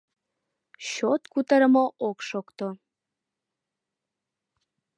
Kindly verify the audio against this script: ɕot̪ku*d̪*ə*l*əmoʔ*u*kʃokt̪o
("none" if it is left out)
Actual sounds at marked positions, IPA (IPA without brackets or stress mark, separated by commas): t̪, ɾ, o